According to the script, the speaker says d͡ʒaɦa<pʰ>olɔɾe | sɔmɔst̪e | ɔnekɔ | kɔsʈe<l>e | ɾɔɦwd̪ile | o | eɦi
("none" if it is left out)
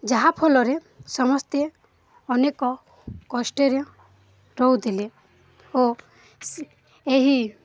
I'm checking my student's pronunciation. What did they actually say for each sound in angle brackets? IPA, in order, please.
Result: pʰ, ɾ

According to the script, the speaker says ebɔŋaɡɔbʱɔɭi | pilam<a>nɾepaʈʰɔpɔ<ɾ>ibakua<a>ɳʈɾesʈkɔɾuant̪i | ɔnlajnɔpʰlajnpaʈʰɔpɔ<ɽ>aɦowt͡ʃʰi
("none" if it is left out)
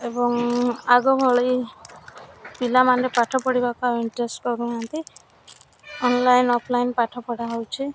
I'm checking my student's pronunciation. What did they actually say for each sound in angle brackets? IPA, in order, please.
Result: a, ɽ, i, ɽ

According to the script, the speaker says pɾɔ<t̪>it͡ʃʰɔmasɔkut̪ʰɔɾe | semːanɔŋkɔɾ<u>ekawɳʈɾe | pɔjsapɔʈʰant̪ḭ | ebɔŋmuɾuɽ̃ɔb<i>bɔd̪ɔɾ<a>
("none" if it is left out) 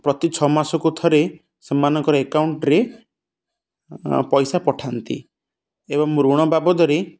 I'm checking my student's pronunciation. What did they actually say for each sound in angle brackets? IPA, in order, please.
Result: t̪, ɔ, a, e

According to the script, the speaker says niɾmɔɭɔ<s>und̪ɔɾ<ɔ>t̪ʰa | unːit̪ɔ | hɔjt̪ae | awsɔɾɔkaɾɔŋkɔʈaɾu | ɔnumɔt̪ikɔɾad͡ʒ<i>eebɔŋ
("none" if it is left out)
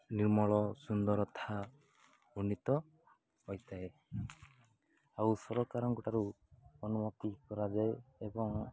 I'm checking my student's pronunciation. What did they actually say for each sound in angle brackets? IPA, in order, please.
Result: s, ɔ, a

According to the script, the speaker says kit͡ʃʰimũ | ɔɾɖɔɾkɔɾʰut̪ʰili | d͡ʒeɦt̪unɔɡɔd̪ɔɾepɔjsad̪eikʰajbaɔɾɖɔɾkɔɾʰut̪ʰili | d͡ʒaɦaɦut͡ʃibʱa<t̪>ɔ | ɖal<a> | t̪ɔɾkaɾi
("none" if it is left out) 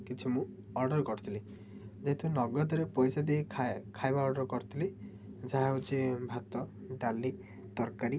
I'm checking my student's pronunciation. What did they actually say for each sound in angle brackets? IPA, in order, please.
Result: t̪, i

